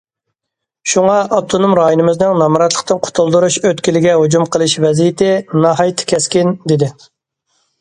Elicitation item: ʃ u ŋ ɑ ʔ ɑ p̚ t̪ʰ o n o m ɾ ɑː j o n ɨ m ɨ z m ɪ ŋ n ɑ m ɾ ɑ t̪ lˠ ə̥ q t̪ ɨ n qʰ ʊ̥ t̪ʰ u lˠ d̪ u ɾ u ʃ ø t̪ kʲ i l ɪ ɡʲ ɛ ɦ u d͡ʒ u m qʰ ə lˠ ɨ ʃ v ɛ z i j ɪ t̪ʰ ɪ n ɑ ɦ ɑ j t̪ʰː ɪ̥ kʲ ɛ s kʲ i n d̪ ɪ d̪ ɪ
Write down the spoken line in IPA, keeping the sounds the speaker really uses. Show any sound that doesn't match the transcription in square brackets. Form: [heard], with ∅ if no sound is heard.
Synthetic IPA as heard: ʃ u ŋ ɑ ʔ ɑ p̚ t̪ʰ o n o m ɾ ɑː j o n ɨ m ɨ z [n] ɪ ŋ n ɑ m ɾ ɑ t̪ lˠ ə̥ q t̪ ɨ n qʰ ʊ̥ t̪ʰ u lˠ d̪ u ɾ u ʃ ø t̪ kʲ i l ɪ ɡʲ ɛ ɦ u d͡ʒ u m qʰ ə lˠ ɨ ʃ v ɛ z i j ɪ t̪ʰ ɪ n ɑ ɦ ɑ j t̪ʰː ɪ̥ kʲ ɛ s kʲ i n d̪ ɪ d̪ ɪ